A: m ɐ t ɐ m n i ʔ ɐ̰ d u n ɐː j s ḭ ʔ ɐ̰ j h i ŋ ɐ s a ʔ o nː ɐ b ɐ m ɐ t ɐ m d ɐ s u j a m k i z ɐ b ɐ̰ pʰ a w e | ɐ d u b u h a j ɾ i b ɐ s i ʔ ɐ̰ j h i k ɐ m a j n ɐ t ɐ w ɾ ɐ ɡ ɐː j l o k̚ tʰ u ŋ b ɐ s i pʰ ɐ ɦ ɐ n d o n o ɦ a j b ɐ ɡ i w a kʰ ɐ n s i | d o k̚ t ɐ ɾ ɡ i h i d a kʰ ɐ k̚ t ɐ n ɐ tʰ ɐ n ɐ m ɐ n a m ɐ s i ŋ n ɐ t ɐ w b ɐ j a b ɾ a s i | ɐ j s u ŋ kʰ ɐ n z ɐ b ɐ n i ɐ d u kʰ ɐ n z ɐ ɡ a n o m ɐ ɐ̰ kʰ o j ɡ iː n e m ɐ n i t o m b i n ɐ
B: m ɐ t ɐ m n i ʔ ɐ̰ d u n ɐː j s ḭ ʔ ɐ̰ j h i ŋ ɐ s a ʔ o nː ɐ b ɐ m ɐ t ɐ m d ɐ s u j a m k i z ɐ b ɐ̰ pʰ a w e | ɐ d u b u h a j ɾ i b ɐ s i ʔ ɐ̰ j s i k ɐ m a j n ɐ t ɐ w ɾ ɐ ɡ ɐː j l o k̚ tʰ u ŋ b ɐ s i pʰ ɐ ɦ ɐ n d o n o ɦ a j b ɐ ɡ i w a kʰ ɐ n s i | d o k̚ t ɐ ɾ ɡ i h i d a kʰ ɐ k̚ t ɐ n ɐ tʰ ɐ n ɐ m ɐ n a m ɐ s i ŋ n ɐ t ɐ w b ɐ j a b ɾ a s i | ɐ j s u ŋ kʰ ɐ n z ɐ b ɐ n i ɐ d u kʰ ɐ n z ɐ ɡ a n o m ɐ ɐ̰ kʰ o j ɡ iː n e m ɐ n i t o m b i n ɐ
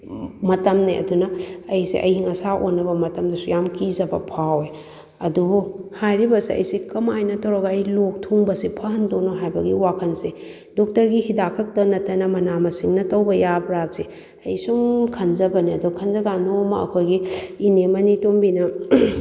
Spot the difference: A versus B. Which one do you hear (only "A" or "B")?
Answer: B